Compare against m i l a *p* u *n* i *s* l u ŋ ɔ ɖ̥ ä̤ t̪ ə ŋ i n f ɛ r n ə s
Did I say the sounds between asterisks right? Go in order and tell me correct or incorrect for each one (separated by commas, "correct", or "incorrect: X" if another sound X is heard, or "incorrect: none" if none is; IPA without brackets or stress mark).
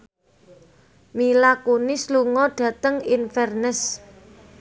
incorrect: k, correct, correct